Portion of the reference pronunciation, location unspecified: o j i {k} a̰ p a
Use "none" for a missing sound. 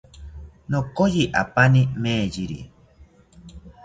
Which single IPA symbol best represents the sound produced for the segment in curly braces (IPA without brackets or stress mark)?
ʔ